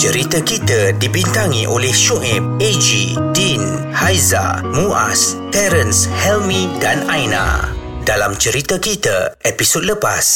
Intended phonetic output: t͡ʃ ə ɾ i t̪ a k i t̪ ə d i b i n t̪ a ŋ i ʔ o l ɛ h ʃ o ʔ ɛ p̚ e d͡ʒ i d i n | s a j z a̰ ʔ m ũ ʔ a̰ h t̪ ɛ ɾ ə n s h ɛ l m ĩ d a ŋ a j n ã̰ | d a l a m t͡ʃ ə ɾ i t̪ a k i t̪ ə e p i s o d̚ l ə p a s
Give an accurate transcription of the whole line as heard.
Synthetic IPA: t͡ʃ ə ɾ i t̪ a k i t̪ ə d i b i n t̪ a ŋ i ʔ o l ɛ h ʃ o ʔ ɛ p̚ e d͡ʒ i d i n | h a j z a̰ m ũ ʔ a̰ s t̪ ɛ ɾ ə n s h ɛ l m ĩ d a n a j n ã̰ | d a l a m t͡ʃ ə ɾ i t̪ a k i t̪ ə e p i s o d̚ l ə p a s